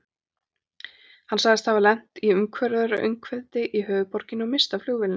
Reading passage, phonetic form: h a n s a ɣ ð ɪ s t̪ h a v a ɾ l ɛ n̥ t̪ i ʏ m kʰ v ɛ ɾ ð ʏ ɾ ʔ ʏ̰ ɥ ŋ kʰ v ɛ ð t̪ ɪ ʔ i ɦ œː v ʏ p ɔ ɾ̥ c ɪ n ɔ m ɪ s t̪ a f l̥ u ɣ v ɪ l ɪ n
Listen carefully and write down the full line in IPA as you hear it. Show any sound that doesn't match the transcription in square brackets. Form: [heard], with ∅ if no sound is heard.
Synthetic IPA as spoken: h a n s a ɣ ð ɪ s t̪ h a v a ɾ l ɛ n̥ t̪ i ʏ m kʰ v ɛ ɾ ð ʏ ɾ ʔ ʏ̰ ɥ ŋ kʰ v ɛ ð t̪ ɪ ʔ i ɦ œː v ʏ p ɔ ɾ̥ c ɪ n ɔ m ɪ s t̪ a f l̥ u ɣ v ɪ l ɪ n